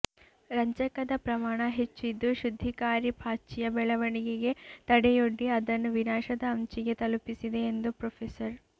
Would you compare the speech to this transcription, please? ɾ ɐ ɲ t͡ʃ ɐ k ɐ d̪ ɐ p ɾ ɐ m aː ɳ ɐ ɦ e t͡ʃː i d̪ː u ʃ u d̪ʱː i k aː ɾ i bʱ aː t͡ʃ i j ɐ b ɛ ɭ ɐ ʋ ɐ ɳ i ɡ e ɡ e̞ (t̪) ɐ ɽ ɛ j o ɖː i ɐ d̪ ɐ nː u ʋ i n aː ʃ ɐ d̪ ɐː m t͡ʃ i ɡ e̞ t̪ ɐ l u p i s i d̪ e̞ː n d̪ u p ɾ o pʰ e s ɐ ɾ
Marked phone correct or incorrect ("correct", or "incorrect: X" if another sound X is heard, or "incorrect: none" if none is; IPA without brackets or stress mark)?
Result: correct